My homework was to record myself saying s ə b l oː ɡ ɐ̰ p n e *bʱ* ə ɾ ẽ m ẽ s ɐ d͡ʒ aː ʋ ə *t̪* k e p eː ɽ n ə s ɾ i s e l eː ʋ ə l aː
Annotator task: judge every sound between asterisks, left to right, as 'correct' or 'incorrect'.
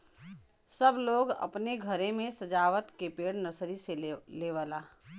incorrect: ɡʱ, correct

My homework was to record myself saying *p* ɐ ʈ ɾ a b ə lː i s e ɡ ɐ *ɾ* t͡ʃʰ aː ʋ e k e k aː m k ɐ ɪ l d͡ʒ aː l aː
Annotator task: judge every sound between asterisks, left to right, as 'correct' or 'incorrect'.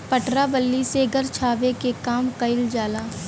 correct, correct

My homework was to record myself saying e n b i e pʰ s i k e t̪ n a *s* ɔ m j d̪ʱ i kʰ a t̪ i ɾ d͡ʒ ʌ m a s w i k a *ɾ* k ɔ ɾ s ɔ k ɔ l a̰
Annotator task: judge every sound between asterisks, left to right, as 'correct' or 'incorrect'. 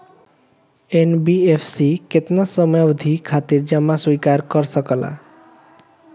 correct, correct

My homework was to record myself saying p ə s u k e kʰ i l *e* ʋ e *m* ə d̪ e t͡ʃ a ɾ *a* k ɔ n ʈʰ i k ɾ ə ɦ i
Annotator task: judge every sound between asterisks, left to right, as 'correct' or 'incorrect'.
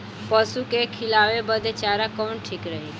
incorrect: a, incorrect: b, correct

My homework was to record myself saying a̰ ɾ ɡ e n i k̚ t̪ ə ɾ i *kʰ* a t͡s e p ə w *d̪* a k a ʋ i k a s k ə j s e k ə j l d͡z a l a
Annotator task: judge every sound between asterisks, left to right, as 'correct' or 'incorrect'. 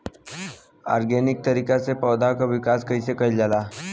incorrect: k, correct

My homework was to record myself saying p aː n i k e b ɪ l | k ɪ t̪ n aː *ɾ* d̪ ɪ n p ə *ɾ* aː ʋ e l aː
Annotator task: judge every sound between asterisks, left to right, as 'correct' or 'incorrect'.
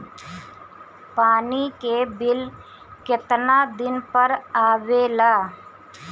incorrect: none, correct

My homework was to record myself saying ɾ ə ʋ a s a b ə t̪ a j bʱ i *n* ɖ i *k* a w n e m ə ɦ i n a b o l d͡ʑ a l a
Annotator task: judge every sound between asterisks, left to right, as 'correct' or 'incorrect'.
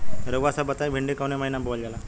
incorrect: ɳ, correct

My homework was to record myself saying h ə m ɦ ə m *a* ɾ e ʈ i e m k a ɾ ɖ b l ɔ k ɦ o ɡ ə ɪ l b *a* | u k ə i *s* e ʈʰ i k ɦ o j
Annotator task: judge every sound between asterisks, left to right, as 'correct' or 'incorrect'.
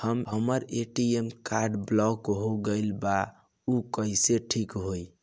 incorrect: ə, correct, correct

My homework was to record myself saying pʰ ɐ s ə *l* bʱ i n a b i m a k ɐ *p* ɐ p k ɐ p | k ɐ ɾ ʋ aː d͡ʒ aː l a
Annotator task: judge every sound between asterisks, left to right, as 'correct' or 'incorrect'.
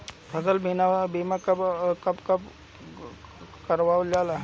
correct, incorrect: k

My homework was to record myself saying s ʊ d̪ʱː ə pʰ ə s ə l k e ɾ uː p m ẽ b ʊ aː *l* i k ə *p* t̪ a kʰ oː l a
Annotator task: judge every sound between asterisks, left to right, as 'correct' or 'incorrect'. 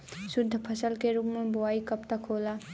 incorrect: none, correct

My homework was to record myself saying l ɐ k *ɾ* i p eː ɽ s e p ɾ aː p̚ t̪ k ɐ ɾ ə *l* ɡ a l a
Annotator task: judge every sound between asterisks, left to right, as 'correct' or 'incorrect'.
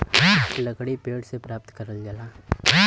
incorrect: ɽ, correct

